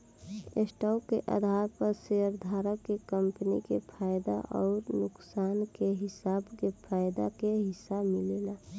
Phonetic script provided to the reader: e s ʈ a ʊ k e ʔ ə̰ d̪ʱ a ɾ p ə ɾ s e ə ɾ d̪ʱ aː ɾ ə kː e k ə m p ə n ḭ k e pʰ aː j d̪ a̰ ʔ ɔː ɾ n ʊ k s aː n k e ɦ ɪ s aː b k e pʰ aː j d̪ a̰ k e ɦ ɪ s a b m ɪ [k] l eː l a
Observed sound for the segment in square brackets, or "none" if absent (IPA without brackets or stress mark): none